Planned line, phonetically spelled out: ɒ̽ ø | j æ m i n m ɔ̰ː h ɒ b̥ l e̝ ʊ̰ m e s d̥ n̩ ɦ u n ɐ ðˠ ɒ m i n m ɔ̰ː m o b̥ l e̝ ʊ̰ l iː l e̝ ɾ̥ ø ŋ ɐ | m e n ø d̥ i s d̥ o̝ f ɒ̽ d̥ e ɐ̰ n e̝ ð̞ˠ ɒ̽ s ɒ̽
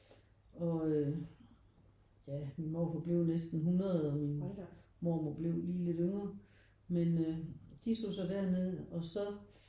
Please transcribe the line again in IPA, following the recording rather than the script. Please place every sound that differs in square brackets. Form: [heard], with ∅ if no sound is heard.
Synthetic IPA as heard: ɒ̽ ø | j æ m i n m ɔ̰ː [f] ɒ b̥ l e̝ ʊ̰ [n] e s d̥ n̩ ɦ u n ɐ ðˠ ɒ m i n m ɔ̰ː m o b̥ l e̝ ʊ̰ l iː l e̝ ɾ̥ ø ŋ ɐ | m e n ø d̥ i s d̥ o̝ [s] ɒ̽ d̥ [æ] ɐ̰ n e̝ ð̞ˠ ɒ̽ s ɒ̽